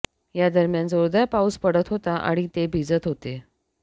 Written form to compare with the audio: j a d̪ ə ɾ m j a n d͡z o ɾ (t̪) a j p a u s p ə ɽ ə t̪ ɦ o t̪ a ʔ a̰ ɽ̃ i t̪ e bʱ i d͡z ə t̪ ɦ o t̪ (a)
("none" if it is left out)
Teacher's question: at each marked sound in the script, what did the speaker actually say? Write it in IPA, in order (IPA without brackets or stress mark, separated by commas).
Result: d̪, e